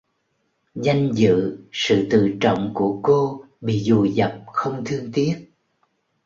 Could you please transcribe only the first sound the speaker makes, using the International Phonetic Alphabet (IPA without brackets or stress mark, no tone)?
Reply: z